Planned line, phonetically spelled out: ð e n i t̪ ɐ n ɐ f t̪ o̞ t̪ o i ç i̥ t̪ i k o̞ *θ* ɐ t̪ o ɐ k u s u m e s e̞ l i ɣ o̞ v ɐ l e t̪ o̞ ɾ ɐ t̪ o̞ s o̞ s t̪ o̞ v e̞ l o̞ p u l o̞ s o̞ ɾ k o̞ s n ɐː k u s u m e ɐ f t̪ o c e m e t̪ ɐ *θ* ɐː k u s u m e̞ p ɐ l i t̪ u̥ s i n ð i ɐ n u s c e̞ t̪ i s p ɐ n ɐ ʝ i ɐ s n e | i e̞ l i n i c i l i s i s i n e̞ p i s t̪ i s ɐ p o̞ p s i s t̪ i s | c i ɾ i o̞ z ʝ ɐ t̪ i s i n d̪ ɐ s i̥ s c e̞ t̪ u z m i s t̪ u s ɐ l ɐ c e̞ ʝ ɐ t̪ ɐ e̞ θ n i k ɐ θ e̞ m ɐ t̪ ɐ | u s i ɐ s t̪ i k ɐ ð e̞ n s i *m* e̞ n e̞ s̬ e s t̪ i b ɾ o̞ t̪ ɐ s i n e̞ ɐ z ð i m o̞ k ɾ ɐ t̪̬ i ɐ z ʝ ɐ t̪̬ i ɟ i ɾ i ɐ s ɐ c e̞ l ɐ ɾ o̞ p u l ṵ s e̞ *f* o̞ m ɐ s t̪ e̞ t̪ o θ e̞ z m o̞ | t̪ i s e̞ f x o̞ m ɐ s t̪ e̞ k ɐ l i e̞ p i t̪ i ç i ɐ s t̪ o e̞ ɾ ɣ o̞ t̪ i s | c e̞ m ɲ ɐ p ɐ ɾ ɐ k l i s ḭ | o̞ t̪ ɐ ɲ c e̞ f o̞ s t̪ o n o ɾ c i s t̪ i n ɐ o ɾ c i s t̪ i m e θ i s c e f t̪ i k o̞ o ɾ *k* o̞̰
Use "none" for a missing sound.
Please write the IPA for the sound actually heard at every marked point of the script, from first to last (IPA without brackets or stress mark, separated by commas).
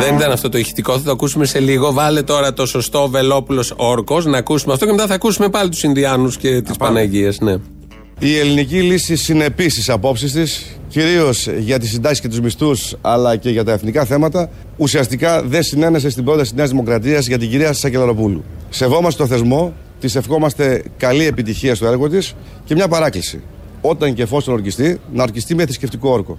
θ, θ, n, v, k